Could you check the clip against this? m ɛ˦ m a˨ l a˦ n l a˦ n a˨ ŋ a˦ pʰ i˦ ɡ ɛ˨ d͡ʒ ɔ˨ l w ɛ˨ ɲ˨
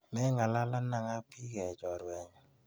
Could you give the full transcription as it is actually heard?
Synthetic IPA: m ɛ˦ ŋ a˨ l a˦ l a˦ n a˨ ŋ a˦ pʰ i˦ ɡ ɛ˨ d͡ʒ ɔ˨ ɾ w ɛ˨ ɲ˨